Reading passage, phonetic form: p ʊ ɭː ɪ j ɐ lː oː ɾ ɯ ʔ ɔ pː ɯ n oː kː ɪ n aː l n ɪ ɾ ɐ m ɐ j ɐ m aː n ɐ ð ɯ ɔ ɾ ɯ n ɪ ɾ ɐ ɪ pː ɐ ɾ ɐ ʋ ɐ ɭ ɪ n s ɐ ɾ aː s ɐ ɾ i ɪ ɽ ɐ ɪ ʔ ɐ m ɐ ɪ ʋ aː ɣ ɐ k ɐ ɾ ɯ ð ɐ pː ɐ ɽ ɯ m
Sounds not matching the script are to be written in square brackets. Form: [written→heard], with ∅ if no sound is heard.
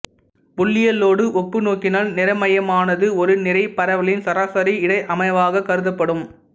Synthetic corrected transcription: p ʊ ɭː ɪ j ɐ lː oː [ɾ→ɽ] ɯ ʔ ɔ pː ɯ n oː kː ɪ n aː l n ɪ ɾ ɐ m ɐ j ɐ m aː n ɐ ð ɯ ɔ ɾ ɯ n ɪ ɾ ɐ ɪ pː ɐ ɾ ɐ ʋ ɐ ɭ ɪ n s ɐ ɾ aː s ɐ ɾ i ɪ ɽ ɐ ɪ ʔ ɐ m ɐ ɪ ʋ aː ɣ ɐ k ɐ ɾ ɯ ð ɐ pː ɐ ɽ ɯ m